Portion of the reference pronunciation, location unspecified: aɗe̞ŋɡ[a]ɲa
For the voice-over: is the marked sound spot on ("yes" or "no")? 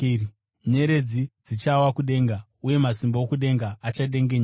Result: no